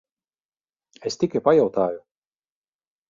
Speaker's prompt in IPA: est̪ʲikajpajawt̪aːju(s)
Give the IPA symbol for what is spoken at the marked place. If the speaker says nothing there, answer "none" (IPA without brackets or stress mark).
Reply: none